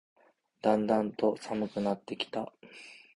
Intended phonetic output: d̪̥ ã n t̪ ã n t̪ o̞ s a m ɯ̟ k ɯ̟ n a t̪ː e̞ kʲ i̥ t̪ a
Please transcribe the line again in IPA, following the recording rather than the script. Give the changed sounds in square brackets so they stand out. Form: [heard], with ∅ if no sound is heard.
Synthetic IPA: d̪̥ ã n [d̪] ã n t̪ o̞ s a m ɯ̟ k ɯ̟ n a t̪ː e̞ kʲ i̥ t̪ a